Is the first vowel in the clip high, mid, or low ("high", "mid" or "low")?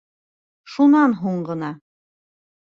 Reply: high